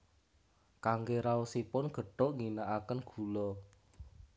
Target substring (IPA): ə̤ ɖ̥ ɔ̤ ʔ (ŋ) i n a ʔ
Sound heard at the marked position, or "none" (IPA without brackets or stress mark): ŋ